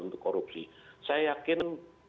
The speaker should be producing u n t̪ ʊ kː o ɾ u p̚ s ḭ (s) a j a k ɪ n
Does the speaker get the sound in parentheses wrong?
no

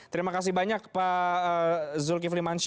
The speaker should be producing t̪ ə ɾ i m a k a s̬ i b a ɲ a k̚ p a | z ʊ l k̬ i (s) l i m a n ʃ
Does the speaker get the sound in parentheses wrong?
yes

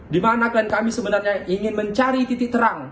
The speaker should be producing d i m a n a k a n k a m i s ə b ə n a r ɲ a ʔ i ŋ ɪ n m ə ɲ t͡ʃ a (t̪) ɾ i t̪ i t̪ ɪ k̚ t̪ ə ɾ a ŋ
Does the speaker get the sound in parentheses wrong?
yes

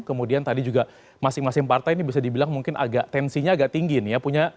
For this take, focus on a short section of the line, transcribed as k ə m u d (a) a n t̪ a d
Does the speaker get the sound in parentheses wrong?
yes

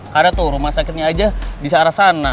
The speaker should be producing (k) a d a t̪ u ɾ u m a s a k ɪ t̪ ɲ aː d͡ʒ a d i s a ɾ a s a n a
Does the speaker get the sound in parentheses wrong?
no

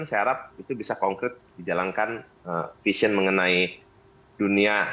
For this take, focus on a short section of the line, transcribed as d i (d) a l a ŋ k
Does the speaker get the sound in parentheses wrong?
yes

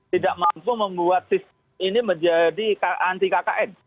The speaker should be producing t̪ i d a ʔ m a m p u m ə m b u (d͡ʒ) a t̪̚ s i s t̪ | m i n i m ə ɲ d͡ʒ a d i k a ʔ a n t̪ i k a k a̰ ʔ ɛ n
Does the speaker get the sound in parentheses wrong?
yes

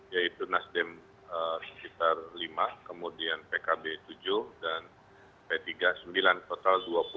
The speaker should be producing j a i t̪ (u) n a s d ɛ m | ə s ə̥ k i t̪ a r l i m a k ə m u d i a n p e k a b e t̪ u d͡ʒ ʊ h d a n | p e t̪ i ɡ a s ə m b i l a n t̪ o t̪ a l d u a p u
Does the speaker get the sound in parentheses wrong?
no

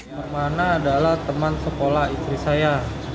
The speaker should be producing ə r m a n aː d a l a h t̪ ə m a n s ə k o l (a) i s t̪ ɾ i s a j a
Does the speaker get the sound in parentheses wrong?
no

